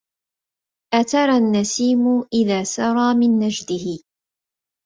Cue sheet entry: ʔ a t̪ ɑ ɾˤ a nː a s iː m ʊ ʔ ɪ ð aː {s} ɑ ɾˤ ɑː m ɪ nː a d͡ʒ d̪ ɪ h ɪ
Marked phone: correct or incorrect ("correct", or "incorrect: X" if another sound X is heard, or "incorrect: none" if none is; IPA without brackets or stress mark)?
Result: correct